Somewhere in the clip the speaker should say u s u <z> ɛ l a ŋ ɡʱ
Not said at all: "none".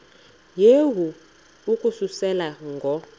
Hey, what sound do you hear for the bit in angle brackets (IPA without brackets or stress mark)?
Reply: s